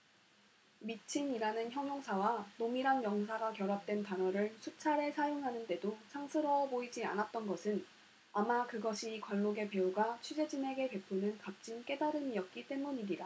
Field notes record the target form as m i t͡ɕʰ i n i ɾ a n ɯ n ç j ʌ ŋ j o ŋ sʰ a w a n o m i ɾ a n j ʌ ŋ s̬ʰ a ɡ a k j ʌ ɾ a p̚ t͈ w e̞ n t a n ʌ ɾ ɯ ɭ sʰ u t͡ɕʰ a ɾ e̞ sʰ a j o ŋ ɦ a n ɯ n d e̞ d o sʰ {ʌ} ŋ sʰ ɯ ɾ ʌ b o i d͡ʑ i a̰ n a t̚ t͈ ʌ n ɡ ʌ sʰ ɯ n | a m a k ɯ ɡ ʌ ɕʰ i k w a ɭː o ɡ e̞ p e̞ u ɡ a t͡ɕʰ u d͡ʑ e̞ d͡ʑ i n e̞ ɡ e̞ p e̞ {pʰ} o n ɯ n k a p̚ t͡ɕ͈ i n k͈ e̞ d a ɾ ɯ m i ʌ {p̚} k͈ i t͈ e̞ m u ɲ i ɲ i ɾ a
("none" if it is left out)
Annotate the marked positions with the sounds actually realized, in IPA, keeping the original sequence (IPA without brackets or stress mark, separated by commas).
a, pʰ, t̚